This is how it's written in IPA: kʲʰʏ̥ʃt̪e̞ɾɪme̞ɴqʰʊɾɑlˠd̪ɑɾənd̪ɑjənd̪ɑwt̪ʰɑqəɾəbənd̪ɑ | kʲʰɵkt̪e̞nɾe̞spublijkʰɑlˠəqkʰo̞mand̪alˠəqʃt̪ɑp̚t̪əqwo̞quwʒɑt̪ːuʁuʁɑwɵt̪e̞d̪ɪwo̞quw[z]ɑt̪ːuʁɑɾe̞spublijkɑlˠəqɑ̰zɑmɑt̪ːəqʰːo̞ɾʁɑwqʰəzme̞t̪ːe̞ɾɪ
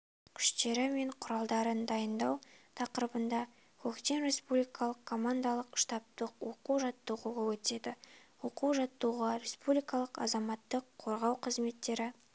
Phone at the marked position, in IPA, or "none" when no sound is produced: ʒ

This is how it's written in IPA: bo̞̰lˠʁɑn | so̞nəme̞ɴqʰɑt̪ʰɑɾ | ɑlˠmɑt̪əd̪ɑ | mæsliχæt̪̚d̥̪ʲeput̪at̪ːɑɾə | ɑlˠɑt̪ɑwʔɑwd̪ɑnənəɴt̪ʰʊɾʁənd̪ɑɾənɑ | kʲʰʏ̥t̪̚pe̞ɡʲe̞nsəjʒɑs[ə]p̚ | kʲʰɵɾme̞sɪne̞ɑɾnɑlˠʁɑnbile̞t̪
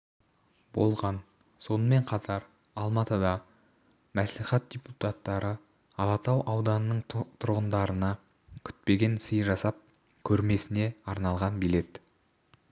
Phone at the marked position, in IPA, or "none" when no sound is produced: ɑ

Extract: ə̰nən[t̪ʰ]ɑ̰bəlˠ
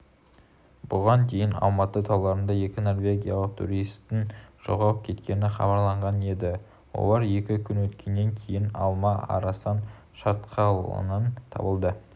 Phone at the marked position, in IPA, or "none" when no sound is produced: t̪ʰ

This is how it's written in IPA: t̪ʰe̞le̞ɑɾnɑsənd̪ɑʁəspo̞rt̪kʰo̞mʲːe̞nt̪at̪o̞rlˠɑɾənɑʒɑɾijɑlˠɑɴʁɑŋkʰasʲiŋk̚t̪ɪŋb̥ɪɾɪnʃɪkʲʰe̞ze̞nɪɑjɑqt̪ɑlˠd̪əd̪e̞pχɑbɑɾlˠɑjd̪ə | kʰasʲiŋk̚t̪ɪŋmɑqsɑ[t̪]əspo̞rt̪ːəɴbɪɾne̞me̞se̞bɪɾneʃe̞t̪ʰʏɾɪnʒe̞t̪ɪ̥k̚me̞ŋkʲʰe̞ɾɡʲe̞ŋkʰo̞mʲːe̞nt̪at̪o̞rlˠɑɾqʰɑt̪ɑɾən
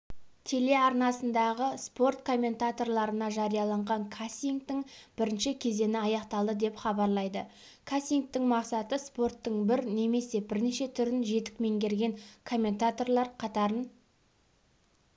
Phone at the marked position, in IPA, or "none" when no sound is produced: t̪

